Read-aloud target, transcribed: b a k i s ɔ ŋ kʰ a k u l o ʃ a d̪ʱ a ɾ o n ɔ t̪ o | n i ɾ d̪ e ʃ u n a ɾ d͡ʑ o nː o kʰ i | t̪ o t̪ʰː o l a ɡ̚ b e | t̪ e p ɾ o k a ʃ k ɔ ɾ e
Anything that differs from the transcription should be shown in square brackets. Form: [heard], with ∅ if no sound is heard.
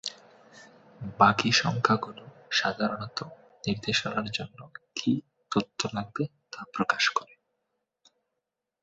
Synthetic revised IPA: b a k i [ʃ] ɔ ŋ kʰ a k u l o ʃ a d̪ʱ a ɾ o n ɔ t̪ o | n i ɾ d̪ e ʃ [o] n a ɾ d͡ʑ o nː o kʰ i | t̪ o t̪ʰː o l a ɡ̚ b e | t̪ [a] p ɾ o k a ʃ k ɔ ɾ e

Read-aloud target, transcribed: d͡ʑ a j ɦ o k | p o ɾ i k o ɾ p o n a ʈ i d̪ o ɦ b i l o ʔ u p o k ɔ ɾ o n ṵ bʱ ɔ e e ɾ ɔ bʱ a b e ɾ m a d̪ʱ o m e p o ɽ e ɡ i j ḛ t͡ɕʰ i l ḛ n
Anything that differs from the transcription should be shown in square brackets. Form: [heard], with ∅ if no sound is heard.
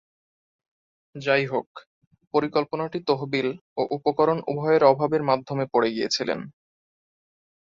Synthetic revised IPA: d͡ʑ a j ɦ o k | p o ɾ i k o [l] p o n a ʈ i [t̪] o ɦ b i l o ʔ u p o k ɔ ɾ o n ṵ bʱ ɔ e e ɾ ɔ bʱ a b e ɾ m a d̪ʱ o m e p o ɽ e ɡ i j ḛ t͡ɕʰ i l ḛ n

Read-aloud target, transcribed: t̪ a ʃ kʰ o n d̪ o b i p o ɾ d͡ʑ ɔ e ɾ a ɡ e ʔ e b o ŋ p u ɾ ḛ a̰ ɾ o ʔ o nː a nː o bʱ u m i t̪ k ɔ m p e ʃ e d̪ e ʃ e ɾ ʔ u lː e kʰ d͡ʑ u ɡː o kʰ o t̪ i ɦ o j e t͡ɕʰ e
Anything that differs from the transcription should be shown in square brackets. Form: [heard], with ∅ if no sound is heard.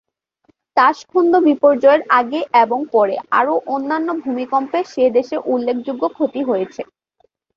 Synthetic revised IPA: t̪ a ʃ kʰ o n d̪ o b i p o ɾ d͡ʑ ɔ e ɾ a ɡ e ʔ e b o ŋ p [ɔ] ɾ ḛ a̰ ɾ o ʔ o nː a nː o bʱ u m i [∅] k ɔ m p e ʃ e d̪ e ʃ e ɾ ʔ u lː e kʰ d͡ʑ u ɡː o kʰ o t̪ i ɦ o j e t͡ɕʰ e

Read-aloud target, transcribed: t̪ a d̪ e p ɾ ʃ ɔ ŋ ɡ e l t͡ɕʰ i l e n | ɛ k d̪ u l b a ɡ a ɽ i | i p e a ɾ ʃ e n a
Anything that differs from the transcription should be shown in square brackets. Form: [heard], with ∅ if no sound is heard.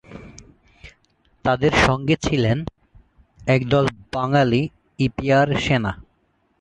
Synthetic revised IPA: t̪ a d̪ e [∅] ɾ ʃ ɔ ŋ ɡ e [∅] t͡ɕʰ i l e n | ɛ k d̪ [ɔ] l b a [ŋ] a [l] i | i p [i] a ɾ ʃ e n a

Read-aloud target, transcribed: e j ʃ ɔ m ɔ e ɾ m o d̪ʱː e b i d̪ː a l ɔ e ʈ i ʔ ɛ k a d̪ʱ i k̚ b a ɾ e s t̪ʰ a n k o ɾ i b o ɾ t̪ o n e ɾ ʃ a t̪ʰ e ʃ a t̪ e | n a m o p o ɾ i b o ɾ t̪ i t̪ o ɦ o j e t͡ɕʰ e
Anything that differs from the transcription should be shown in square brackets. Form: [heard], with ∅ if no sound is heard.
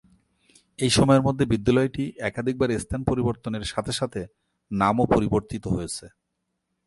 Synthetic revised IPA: e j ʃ ɔ m ɔ e ɾ m o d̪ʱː e b i d̪ː a l ɔ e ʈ i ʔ ɛ k a d̪ʱ i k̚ b a ɾ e s t̪ʰ a n [p] o ɾ i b o ɾ t̪ o n e ɾ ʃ a t̪ʰ e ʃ a [t̪ʰ] e | n a m o p o ɾ i b o ɾ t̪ i t̪ o ɦ o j e t͡ɕʰ e

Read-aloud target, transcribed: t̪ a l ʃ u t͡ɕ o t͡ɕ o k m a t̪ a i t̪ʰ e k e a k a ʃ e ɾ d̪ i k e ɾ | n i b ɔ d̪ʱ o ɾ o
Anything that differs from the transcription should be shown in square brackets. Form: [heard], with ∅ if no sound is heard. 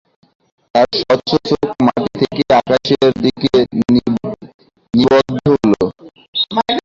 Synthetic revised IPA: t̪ a [ɾ] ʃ [ɔ] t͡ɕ o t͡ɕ o k m a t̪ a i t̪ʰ e k e a k a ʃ e ɾ d̪ i k e [∅] | n i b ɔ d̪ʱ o [l] o

